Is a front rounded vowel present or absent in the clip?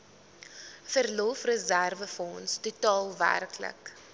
absent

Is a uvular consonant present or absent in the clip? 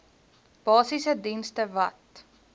absent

